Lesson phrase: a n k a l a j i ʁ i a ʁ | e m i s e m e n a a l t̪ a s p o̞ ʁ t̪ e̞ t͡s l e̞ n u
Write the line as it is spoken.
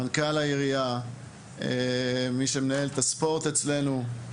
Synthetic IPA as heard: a n k a l a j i ʁ i a | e m i ʃ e m e n a e l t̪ a s p o̞ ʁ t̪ e̞ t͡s l e̞ n u